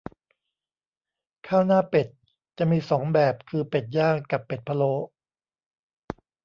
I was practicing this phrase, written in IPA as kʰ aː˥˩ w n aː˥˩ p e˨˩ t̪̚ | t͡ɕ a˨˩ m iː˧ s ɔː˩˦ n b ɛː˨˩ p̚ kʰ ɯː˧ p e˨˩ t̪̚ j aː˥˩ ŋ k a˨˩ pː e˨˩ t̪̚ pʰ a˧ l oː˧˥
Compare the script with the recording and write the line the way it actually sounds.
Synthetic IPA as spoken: kʰ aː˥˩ w n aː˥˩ p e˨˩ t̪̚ | t͡ɕ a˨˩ m iː˧ s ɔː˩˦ ŋ b ɛː˨˩ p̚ kʰ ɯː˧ p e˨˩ t̪̚ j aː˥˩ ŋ k a˨˩ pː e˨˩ t̪̚ pʰ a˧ l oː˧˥